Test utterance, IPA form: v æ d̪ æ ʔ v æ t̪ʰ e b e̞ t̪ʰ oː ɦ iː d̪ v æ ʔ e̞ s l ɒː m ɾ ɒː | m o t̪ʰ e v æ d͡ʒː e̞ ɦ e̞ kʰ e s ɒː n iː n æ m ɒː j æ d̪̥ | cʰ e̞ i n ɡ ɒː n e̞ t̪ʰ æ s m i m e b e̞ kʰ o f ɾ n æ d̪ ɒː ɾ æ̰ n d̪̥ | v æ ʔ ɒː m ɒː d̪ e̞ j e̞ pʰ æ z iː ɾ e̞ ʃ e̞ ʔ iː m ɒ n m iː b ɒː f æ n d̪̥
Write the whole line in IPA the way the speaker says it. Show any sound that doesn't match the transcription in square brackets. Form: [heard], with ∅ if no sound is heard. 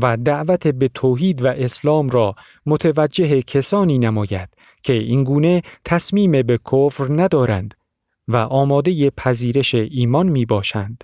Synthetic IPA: v æ d̪ æ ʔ v æ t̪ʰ e b e̞ t̪ʰ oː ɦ iː d̪ v æ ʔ e̞ s l ɒː m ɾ ɒː | m o t̪ʰ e v æ d͡ʒː e̞ ɦ e̞ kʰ e s ɒː n iː n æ m ɒː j æ d̪̥ | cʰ e̞ i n ɡ [uː] n e̞ t̪ʰ æ s m [iː] m e b e̞ kʰ o f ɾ n æ d̪ ɒː ɾ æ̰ n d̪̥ | v æ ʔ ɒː m ɒː d̪ e̞ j e̞ pʰ æ z iː ɾ e̞ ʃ e̞ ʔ iː m ɒ n m iː b ɒː [ʃ] æ n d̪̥